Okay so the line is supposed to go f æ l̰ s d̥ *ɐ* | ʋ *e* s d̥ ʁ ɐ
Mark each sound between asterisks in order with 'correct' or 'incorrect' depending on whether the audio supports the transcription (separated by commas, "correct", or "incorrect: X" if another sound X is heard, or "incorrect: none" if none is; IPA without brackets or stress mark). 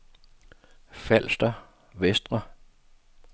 correct, correct